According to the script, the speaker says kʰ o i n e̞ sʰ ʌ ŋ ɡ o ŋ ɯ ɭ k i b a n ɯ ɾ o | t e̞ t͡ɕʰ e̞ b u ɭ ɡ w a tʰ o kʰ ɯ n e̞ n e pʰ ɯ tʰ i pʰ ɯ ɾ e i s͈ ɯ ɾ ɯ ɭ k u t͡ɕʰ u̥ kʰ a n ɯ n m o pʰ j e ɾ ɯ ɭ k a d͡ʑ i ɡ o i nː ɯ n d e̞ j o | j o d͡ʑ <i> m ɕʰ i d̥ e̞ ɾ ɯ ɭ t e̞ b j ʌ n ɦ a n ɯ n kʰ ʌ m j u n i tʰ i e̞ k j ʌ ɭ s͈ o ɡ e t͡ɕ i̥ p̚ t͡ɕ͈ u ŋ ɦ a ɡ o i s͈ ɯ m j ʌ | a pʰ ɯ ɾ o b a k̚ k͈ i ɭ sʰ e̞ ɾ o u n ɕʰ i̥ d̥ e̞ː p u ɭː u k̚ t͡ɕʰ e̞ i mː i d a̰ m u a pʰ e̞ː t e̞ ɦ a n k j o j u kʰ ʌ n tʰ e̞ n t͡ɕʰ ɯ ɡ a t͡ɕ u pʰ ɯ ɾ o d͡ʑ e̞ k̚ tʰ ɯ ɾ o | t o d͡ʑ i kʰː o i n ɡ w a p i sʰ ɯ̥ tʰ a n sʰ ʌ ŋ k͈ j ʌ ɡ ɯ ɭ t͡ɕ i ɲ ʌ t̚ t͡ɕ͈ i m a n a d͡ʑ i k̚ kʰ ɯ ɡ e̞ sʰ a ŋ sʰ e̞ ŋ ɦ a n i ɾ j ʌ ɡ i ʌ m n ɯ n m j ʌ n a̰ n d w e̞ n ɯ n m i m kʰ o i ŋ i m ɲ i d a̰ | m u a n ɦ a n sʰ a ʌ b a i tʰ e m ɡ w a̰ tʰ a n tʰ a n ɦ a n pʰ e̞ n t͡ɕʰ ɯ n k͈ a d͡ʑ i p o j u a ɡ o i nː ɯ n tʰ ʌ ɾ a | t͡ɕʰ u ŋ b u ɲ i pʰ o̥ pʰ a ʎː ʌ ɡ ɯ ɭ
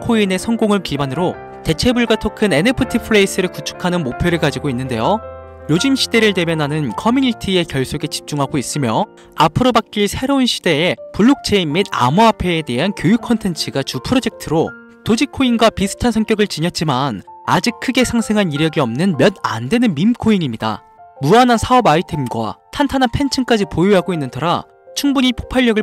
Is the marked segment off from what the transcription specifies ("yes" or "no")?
no